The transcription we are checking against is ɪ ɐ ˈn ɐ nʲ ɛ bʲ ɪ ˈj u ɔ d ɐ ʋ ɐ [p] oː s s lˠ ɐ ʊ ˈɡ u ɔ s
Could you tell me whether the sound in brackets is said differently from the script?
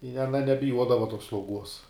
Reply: yes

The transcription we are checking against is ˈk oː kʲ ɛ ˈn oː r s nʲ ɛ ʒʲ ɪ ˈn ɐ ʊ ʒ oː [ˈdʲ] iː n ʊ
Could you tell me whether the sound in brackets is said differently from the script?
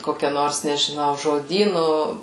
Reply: no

